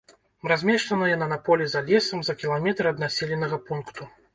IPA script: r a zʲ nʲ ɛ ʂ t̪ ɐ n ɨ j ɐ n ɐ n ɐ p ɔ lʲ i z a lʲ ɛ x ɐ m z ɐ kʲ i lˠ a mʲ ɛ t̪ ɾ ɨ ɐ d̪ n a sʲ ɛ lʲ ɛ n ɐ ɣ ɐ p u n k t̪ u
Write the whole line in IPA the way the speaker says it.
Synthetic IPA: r a zʲ mʲ ɛ ʂ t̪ ɐ n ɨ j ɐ n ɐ n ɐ p ɔ lʲ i z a lʲ ɛ s ɐ m z ɐ kʲ i lˠ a mʲ ɛ t̪ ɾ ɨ ɐ d̪ n a sʲ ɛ lʲ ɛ n ɐ ɣ ɐ p u n k t̪ u